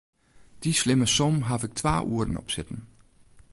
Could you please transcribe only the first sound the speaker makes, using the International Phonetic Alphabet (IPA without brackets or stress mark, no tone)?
d̥